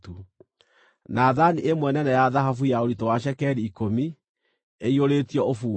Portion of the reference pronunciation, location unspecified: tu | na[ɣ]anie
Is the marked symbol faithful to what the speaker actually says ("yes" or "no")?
no